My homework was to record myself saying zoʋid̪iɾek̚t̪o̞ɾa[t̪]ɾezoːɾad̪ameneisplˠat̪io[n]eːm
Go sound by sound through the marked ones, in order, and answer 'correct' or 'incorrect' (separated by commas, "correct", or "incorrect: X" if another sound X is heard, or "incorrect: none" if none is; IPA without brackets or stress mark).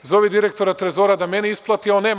correct, correct